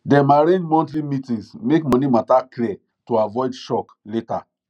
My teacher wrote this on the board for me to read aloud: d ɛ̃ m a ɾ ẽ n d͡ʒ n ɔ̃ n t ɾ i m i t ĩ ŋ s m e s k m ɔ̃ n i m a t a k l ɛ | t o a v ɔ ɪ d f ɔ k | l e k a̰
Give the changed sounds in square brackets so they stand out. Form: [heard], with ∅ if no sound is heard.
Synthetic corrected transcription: d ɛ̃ m a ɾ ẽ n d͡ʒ [m] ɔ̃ n t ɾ i m i t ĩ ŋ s m e [∅] k m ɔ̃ n i m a t a k l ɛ | t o a v ɔ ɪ d [ʃ] ɔ k | l e [t] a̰